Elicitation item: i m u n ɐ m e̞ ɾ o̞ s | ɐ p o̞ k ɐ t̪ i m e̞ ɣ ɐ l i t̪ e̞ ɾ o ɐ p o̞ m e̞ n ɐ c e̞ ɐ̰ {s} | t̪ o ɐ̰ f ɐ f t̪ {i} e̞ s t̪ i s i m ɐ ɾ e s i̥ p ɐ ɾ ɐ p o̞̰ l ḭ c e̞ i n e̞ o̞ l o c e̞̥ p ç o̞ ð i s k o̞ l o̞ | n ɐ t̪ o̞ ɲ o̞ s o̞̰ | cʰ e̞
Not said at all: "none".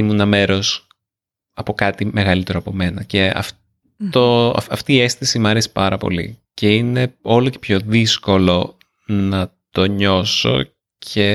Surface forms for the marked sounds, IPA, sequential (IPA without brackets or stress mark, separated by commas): f, iː